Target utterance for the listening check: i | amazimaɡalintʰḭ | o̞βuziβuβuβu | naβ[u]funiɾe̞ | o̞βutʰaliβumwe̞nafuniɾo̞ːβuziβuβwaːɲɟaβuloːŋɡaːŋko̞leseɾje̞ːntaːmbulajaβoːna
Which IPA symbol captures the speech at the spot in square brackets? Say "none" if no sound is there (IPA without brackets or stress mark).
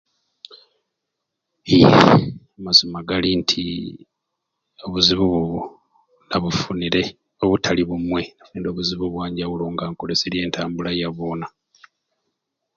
u